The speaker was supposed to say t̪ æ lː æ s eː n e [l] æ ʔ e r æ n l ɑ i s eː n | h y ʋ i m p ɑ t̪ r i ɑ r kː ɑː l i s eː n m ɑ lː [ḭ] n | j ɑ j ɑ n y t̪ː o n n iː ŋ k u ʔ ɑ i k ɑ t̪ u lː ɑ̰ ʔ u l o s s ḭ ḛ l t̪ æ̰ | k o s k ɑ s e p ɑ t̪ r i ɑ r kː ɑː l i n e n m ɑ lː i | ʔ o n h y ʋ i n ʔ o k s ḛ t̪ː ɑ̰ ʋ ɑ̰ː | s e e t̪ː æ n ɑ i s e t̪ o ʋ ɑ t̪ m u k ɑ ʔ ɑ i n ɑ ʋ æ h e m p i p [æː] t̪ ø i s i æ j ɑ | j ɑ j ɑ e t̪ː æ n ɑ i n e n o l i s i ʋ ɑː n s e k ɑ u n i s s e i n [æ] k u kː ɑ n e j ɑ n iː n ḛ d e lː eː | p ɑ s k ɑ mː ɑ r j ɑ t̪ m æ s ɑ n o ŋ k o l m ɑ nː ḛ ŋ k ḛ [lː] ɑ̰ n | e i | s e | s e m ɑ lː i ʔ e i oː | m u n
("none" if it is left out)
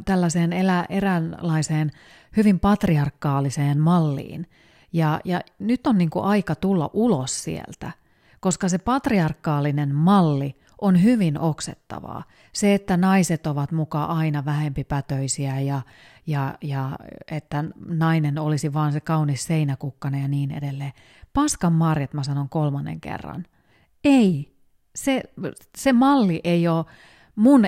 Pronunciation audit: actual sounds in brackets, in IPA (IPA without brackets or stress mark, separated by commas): l, ḭː, æ, æ, rː